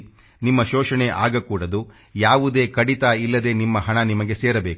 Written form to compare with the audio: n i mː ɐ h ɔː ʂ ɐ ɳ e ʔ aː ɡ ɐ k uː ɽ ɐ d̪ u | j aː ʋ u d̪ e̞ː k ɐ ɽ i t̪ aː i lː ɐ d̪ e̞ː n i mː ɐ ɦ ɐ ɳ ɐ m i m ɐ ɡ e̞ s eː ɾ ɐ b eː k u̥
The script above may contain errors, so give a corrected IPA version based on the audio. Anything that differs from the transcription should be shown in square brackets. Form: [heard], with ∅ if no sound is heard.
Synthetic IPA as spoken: n i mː ɐ [ʃ] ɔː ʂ ɐ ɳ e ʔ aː ɡ ɐ k uː ɽ ɐ d̪ u | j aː ʋ u d̪ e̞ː k ɐ ɽ i t̪ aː i lː ɐ d̪ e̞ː n i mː ɐ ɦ ɐ ɳ ɐ [n] i m ɐ ɡ e̞ s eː ɾ ɐ b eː k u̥